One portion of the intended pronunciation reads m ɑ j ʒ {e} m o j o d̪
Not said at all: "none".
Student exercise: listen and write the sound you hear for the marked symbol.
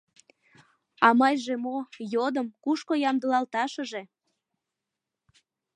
e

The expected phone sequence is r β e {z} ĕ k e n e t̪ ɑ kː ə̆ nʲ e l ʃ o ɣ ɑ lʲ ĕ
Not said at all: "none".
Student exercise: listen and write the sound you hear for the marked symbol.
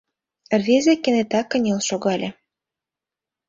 z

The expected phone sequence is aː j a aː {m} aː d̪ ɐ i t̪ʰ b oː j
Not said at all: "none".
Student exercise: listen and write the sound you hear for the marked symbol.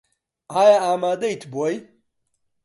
m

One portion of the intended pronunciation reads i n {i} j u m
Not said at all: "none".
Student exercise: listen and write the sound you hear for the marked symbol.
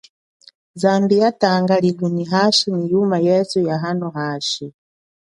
i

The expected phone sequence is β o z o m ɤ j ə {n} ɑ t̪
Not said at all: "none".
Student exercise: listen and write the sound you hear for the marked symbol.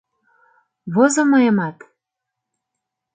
m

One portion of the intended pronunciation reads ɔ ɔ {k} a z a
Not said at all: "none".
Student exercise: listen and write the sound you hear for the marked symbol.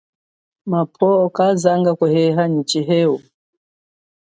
k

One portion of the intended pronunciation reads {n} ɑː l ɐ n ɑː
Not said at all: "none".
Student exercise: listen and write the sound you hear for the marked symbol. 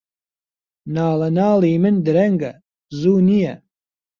n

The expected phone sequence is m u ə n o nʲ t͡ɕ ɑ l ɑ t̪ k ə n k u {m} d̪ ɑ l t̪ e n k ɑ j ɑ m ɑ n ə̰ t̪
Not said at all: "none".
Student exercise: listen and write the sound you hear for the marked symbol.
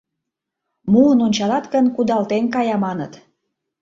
none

